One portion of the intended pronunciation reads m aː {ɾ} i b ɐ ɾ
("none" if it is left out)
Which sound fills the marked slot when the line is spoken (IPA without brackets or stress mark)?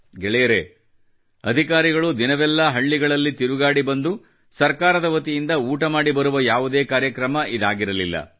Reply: ɽ